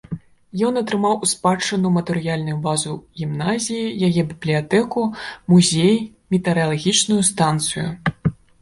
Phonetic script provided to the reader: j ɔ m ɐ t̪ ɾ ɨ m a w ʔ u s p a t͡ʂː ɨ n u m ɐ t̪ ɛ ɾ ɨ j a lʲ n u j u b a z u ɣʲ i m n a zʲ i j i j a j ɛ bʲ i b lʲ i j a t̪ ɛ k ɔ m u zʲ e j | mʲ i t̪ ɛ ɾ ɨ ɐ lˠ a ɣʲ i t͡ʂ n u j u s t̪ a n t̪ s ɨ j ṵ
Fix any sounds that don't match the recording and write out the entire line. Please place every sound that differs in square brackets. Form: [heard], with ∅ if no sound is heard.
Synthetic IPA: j ɔ [n] ɐ t̪ ɾ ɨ m a w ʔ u s p a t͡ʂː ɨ n u m ɐ t̪ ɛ ɾ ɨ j a lʲ n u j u b a z u ɣʲ i m n a zʲ i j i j a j ɛ bʲ i b lʲ i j a t̪ ɛ k [u] m u zʲ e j | mʲ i t̪ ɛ ɾ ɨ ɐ lˠ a ɣʲ i t͡ʂ n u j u s t̪ a n t̪ s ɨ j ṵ